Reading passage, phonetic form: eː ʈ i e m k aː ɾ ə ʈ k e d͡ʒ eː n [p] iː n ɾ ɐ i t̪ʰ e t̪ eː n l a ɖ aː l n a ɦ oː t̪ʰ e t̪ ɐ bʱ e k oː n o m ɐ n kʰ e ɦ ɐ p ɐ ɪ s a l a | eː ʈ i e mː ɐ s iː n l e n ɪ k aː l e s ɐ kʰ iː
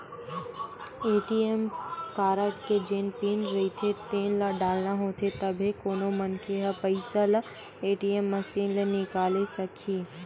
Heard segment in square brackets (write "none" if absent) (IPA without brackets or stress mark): p